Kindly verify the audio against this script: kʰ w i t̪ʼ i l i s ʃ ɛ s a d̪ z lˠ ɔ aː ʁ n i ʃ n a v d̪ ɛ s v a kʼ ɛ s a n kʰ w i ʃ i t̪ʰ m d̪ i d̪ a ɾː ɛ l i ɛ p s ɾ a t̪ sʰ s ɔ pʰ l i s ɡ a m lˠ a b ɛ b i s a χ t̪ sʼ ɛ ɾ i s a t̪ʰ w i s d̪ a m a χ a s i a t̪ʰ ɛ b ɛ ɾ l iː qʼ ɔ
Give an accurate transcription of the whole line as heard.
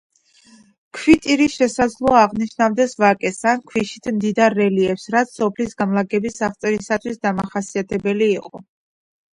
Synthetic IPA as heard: kʰ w i t̪ʼ i ɾ i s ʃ ɛ s a d̪ z lˠ ɔ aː ʁ n i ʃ n a v d̪ ɛ s v a kʼ ɛ s a n kʰ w i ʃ i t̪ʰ m d̪ i d̪ a ɾː ɛ l i ɛ p s ɾ a t̪ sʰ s ɔ pʰ l i s ɡ a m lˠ a ɡ ɛ b i s a χ t̪ sʼ ɛ ɾ i s a t̪ʰ w i s d̪ a m a χ a s i a t̪ʰ ɛ b ɛ l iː qʼ ɔ